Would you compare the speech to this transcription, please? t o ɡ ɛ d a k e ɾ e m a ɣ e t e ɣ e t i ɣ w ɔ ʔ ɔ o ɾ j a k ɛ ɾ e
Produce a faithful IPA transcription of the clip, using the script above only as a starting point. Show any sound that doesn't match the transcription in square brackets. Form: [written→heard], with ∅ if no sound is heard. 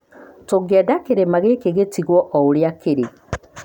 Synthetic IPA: t o ɡ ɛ d a k e ɾ e m a ɣ e [t→k] e ɣ e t i ɣ w ɔ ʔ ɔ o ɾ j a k [ɛ→e] ɾ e